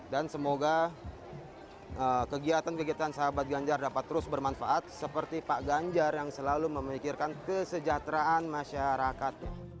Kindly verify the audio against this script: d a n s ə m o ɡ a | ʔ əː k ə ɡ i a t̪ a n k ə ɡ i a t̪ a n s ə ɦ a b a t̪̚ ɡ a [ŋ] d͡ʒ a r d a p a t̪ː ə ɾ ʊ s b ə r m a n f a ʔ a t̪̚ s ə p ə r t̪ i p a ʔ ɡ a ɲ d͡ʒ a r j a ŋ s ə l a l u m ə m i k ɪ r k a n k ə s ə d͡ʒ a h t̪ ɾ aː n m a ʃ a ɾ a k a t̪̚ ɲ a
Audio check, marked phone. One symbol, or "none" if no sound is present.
ɲ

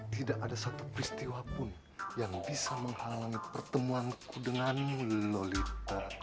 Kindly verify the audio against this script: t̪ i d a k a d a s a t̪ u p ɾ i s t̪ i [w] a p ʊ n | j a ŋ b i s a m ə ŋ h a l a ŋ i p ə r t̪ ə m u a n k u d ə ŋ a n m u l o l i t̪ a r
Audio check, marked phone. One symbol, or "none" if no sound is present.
w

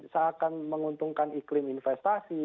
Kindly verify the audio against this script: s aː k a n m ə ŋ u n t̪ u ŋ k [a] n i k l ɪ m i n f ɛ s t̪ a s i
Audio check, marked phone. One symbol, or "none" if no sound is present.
a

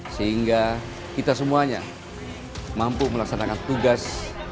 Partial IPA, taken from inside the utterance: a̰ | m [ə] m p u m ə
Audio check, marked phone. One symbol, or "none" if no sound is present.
a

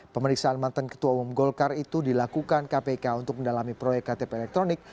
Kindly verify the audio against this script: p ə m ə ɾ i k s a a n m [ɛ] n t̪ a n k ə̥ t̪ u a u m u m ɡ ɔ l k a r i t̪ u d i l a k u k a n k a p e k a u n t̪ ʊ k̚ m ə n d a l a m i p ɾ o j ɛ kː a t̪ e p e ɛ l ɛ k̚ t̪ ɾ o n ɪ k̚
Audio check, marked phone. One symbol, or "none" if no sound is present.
a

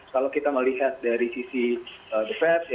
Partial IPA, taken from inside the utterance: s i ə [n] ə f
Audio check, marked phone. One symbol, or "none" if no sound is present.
d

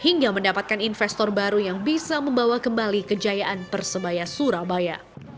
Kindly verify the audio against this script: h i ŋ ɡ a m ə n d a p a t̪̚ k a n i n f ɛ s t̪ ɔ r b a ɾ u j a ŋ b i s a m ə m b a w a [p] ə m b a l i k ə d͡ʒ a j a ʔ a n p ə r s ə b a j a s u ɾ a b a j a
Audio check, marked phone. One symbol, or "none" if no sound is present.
k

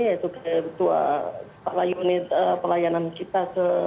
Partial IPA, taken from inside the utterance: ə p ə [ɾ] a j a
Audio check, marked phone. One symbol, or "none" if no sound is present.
l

